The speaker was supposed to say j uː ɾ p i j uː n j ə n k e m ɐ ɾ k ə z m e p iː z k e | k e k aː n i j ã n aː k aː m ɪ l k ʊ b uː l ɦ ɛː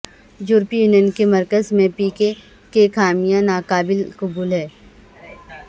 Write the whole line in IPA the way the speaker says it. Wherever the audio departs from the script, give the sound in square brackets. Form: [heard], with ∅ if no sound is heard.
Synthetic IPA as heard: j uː ɾ p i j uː n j ə n k e m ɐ ɾ k ə z m [ẽ] p iː [∅] k e | k e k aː [m] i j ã n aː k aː [b] ɪ l k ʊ b uː l ɦ ɛː